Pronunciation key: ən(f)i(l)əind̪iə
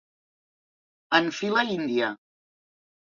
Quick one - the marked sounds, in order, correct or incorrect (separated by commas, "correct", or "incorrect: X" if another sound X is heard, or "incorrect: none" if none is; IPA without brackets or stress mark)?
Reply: correct, correct